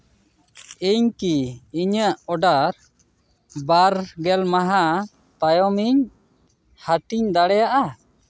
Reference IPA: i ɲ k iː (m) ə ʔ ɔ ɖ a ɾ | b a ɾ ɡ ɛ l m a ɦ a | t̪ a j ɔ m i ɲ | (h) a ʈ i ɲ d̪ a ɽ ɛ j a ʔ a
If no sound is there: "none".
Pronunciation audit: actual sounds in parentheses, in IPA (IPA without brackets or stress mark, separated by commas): ɲ, h